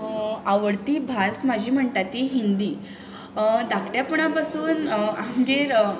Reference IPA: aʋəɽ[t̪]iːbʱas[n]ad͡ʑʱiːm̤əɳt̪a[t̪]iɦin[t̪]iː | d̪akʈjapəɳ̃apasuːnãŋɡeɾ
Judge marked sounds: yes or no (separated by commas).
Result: yes, no, yes, no